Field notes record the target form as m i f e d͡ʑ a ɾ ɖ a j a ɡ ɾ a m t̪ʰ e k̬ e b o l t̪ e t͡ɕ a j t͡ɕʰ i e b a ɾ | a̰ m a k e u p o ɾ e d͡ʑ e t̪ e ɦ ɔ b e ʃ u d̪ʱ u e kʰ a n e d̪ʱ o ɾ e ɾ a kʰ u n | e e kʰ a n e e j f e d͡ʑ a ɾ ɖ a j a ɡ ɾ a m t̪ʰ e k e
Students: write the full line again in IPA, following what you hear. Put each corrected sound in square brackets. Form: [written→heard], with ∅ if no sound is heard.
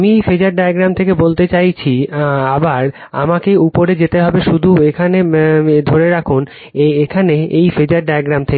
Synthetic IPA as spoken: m i f e d͡ʑ a ɾ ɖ a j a ɡ ɾ a m t̪ʰ e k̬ e b o l t̪ e t͡ɕ a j t͡ɕʰ i [e→a] b a ɾ | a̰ m a k e u p o ɾ e d͡ʑ e t̪ e ɦ ɔ b e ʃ u d̪ʱ u e kʰ a n e d̪ʱ o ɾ e ɾ a kʰ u n | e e kʰ a n e e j f e d͡ʑ a ɾ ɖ a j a ɡ ɾ a m t̪ʰ e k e